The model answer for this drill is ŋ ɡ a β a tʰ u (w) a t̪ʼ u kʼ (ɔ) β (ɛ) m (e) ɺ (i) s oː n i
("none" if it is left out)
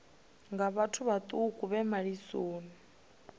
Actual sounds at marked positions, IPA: β, u, ɛ, a, i

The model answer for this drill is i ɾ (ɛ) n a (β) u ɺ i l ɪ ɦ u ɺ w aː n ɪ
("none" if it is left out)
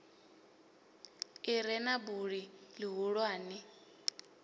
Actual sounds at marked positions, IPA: ɛ, b

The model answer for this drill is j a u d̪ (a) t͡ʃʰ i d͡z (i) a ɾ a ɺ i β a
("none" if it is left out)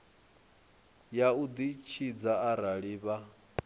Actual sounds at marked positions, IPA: i, a

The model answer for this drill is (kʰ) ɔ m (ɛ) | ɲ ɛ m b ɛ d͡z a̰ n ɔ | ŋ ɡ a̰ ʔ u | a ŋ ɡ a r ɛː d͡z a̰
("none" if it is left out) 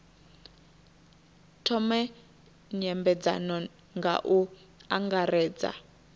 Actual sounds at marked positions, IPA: tʰ, ɛ

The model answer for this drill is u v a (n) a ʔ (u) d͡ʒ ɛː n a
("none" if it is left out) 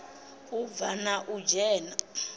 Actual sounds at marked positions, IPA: n, u

